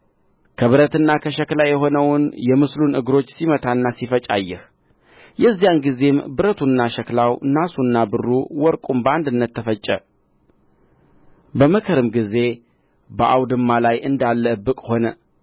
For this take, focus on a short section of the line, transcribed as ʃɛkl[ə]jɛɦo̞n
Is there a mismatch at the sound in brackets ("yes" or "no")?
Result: yes